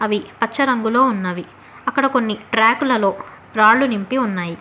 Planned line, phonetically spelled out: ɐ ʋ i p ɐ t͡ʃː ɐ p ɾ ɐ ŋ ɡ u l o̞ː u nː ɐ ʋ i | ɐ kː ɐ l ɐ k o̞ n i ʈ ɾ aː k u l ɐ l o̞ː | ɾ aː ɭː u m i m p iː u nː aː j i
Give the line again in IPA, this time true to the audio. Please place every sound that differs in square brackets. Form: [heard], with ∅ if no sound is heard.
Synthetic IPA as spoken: ɐ ʋ i p ɐ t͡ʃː ɐ [∅] ɾ ɐ ŋ ɡ u l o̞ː u nː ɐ ʋ i | ɐ kː ɐ [ɽ] ɐ k o̞ [nː] i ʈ ɾ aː k u l ɐ l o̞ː | ɾ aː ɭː u [n] i m p [i] u nː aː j i